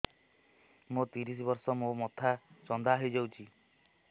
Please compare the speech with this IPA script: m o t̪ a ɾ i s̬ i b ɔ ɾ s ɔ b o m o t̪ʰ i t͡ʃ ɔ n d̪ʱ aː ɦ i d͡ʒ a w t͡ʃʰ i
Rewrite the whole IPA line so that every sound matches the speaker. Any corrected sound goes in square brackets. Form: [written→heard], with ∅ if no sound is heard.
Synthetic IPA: m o t̪ [a→i] ɾ i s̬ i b ɔ ɾ s ɔ [b→m] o m [o→ɔ] t̪ʰ [i→a] t͡ʃ ɔ n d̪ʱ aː ɦ i d͡ʒ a w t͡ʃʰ i